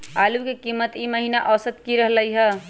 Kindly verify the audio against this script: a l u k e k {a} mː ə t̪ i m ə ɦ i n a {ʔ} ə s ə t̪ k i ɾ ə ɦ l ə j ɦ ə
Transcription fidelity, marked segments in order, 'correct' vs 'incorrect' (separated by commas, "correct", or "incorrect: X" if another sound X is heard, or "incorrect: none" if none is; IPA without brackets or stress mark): incorrect: i, correct